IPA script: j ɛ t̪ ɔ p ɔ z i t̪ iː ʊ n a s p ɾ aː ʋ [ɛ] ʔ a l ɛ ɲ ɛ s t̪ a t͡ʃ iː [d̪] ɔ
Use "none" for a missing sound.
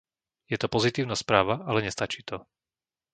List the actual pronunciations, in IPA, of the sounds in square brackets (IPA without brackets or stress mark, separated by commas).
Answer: a, t̪